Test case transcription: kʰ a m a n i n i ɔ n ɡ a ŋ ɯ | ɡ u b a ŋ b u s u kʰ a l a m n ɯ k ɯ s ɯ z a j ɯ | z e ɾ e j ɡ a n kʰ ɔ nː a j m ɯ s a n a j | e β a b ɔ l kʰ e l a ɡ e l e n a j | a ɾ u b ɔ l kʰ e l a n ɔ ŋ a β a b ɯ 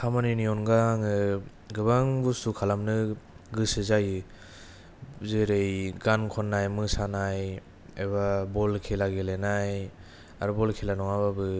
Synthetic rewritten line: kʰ a m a n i n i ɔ n ɡ a ŋ ɯ | ɡ ɯ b a ŋ b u s u kʰ a l a m n ɯ ɡ ɯ s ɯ z a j ɯ | z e ɾ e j ɡ a n kʰ ɔ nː a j m ɯ s a n a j | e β a b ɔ l kʰ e l a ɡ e l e n a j | a ɾ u b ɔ l kʰ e l a n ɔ ŋ a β a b ɯ